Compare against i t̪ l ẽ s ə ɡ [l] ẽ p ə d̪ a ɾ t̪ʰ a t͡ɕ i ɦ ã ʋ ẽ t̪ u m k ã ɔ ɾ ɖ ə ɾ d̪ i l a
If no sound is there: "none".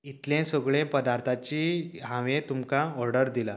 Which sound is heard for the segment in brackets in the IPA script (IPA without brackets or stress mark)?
ɭ